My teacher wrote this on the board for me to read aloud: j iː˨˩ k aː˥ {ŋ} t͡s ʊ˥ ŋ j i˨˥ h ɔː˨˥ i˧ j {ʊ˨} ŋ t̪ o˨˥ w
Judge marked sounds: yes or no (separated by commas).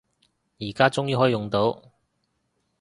no, yes